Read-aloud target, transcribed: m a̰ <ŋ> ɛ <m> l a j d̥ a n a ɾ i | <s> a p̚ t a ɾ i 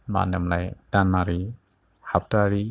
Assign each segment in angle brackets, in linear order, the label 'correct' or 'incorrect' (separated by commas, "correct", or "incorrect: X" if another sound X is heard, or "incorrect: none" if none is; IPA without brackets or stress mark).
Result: incorrect: n, correct, incorrect: h